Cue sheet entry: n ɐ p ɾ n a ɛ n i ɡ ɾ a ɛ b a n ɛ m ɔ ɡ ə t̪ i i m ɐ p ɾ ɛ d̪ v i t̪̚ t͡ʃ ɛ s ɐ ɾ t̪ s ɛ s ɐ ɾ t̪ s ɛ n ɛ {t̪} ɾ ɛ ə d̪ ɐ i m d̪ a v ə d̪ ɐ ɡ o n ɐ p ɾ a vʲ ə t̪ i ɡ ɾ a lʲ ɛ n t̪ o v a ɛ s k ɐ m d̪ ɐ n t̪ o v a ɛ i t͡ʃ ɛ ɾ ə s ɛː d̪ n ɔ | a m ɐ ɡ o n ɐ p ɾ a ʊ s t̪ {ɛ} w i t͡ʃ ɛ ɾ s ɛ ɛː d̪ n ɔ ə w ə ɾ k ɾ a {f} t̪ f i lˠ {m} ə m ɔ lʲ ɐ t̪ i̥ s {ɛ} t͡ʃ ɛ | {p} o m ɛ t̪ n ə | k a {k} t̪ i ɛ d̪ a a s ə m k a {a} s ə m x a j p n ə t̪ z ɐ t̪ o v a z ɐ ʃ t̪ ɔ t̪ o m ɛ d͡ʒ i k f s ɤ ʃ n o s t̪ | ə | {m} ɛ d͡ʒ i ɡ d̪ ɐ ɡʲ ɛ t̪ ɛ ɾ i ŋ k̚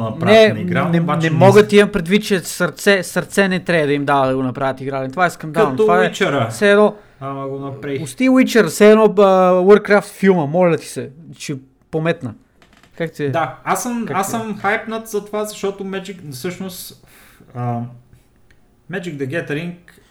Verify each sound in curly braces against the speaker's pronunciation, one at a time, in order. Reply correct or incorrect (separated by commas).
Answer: correct, incorrect, correct, correct, correct, correct, correct, correct, correct